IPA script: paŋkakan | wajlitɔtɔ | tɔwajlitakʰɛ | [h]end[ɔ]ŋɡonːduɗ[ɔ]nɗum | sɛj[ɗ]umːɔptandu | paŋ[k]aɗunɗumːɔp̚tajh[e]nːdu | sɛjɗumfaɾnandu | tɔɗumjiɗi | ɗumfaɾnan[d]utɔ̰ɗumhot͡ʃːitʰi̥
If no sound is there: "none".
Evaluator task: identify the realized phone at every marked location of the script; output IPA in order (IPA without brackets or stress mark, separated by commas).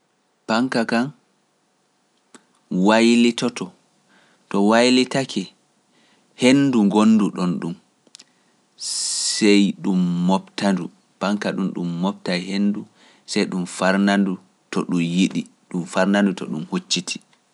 h, u, ɔ, ɗ, k, e, d